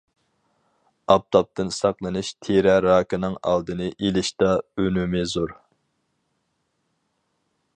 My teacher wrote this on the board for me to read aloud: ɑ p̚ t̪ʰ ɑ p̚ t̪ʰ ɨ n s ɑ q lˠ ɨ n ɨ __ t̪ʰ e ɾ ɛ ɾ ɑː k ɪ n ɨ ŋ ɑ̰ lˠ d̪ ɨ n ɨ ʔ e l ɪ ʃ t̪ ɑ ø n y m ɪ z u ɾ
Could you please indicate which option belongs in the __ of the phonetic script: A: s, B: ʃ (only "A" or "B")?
B